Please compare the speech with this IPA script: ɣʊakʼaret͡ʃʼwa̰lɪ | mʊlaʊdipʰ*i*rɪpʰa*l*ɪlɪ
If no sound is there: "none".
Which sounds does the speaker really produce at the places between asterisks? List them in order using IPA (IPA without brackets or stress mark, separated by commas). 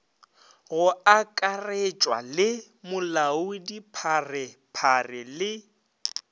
a, r